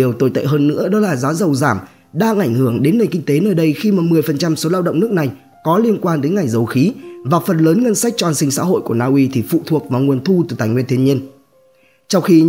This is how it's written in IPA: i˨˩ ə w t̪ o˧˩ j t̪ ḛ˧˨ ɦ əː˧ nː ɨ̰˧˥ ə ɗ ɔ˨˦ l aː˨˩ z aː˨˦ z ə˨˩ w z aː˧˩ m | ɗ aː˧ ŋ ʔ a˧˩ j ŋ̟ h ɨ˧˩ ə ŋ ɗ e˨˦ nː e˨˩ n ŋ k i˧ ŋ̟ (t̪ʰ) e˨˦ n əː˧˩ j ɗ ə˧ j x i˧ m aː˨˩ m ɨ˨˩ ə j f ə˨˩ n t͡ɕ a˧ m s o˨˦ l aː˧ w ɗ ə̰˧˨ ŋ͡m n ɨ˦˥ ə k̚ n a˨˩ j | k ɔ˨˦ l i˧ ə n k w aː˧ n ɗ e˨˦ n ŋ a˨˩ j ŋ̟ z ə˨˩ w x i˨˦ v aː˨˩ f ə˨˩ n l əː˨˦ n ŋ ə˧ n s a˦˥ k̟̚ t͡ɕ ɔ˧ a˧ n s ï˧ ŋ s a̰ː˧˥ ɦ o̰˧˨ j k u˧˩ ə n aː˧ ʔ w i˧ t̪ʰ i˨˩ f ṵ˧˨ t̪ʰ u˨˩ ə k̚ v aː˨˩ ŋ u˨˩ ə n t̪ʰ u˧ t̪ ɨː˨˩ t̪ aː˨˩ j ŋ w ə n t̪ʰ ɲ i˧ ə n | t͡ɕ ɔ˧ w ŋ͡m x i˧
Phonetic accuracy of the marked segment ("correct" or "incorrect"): incorrect